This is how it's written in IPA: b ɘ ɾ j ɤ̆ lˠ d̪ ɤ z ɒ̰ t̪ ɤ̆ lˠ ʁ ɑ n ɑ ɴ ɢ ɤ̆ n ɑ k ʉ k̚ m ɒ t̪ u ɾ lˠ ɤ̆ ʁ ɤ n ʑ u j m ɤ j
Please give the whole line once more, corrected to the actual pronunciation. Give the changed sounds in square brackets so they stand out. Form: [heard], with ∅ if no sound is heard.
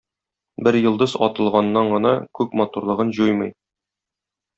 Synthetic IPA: b ɘ ɾ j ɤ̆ lˠ d̪ ɤ z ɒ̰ t̪ ɤ̆ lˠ ʁ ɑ [nː] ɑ ɴ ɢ ɤ̆ n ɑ k ʉ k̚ m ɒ t̪ u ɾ lˠ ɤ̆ ʁ ɤ n ʑ u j m ɤ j